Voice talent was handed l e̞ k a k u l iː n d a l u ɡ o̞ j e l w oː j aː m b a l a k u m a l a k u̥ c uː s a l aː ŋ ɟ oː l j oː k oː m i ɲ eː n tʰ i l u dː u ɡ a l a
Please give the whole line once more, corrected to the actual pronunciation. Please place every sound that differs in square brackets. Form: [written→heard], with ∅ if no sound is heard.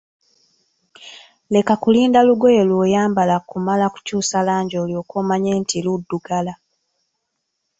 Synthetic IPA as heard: l e̞ k a k u l iː n d a l u ɡ o̞ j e l w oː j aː m b a l a k u m a l a k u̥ c uː s a l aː [ŋ→ɲ] ɟ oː l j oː k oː m [i→a] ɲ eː n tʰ i l u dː u ɡ a l a